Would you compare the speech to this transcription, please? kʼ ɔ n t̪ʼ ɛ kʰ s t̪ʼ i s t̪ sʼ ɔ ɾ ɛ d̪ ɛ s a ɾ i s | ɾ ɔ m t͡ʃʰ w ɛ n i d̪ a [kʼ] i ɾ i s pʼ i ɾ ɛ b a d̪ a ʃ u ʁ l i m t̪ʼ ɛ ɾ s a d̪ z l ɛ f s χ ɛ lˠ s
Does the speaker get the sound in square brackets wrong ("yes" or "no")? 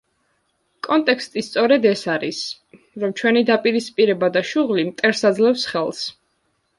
yes